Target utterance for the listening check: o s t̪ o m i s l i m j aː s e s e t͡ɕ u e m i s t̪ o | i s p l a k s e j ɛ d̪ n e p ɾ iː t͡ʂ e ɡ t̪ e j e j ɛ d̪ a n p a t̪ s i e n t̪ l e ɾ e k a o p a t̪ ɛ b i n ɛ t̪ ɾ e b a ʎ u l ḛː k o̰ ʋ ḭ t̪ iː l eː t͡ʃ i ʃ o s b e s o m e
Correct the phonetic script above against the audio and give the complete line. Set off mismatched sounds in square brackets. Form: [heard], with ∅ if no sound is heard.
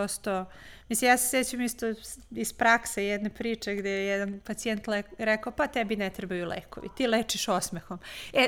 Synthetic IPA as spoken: o s t̪ o m i s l i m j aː s e s e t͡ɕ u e m i s t̪ o | i s p [ɾ] a k s e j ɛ d̪ n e p ɾ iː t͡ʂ e ɡ [d̪] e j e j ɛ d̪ a n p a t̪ s i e n t̪ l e ɾ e k a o p a t̪ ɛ b i n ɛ t̪ ɾ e b a [j] u l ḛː k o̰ ʋ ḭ t̪ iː l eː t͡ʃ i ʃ o s [m] e [x] o m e